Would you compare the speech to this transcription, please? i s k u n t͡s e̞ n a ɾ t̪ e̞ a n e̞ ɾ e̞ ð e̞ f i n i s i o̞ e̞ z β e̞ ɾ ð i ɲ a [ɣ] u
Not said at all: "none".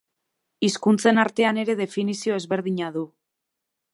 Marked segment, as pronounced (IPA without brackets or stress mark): ð